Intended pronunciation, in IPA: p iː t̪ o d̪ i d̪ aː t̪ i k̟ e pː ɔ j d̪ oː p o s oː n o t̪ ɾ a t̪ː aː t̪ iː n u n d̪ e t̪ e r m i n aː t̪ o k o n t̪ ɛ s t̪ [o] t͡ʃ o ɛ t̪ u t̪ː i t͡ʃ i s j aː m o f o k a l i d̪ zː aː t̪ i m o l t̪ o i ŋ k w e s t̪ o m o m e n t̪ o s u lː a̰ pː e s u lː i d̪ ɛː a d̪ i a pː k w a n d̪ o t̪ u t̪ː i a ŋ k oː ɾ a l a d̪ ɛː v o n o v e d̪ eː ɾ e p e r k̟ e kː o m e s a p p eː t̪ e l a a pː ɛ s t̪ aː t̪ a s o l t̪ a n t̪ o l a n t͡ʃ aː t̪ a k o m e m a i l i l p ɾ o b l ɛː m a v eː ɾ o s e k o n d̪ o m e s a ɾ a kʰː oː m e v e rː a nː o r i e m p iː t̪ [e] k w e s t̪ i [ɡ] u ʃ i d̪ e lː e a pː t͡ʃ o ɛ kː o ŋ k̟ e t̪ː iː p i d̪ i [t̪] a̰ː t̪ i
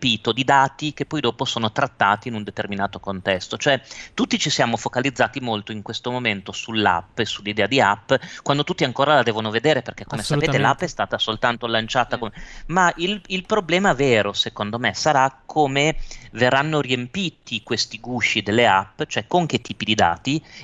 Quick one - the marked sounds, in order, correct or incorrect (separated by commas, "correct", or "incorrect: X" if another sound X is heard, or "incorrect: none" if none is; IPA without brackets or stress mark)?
correct, incorrect: i, correct, incorrect: d̪